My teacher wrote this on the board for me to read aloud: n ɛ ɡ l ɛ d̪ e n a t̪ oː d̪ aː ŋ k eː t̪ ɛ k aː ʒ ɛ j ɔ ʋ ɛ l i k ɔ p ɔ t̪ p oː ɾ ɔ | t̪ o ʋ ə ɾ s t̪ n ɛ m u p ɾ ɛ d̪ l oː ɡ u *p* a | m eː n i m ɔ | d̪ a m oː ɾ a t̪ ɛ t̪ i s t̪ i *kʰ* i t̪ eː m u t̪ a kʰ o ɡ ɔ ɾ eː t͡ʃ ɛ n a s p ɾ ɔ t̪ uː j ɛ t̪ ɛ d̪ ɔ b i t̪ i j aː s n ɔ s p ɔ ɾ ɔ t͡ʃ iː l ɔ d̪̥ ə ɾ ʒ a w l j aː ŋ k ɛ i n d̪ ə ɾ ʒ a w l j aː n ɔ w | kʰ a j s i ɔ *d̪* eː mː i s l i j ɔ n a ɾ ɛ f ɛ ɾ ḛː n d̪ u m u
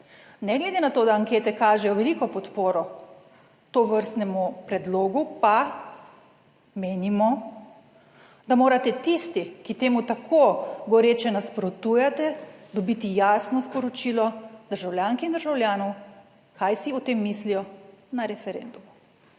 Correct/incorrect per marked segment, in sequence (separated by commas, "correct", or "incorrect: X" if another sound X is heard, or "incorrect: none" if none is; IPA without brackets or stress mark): correct, incorrect: k, incorrect: t̪